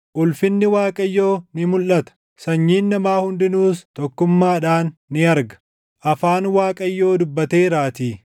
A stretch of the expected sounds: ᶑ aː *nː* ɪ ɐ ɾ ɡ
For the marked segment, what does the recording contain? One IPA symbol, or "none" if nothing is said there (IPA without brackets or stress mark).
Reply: nː